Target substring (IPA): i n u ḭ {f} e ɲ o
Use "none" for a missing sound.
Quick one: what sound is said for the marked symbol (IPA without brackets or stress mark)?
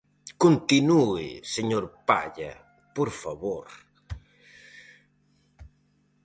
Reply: s